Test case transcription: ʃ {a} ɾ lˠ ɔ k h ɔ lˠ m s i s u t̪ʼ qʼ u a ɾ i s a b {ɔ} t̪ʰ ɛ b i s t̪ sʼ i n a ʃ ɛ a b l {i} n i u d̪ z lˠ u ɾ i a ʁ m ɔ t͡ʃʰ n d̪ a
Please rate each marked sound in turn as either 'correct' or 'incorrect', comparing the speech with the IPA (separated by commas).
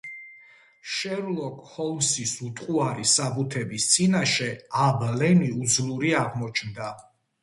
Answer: incorrect, incorrect, incorrect